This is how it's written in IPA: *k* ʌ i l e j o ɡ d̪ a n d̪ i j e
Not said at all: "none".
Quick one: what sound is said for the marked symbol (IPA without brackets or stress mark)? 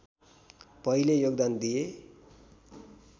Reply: p